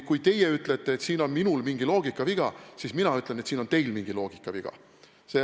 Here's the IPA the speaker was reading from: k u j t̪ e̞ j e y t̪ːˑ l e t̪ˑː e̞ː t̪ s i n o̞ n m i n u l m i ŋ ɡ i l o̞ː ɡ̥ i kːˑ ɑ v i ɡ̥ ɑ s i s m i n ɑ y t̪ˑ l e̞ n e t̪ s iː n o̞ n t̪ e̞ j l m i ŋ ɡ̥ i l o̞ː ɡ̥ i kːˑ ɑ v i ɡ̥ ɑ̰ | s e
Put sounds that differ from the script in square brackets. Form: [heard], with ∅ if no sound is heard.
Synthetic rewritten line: k u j t̪ e̞ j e y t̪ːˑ l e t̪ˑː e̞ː t̪ s [iː] n o̞ n m i n u l m i ŋ ɡ i l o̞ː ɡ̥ i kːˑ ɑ v i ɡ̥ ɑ s i s m i n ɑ y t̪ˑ l e̞ n e t̪ s iː n o̞ n t̪ e̞ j l m i ŋ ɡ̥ i l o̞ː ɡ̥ i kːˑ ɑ v i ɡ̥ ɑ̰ | s e